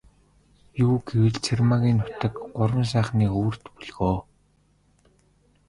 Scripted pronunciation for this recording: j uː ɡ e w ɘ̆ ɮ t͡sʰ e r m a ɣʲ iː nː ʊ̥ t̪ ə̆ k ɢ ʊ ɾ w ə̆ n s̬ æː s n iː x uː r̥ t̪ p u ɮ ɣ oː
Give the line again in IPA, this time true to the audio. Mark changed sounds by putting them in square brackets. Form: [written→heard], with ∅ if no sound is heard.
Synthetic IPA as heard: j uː ɡ e w ɘ̆ ɮ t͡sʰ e r m a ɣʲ iː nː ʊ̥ t̪ ə̆ k ɢ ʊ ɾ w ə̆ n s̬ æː [s→χ] n iː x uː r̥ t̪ p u ɮ ɣ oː